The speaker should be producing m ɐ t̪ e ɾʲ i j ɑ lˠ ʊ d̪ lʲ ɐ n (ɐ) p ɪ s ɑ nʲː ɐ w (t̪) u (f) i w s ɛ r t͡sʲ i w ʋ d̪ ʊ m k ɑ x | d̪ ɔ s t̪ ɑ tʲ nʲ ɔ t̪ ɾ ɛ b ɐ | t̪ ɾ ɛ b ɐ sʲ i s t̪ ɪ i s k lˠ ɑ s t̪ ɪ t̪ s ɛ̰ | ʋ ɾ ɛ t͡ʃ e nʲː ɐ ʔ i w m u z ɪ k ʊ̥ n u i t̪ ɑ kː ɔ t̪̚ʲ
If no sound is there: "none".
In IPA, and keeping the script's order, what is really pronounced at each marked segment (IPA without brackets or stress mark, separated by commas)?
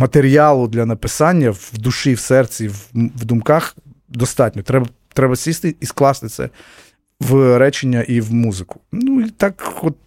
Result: ɐ, d̪, ʃ